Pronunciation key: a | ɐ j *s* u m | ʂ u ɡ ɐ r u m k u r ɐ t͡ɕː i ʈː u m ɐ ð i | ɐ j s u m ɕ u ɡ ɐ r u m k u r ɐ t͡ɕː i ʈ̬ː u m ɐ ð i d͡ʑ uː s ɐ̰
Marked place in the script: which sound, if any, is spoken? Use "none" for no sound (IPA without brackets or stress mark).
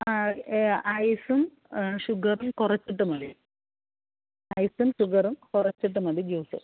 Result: s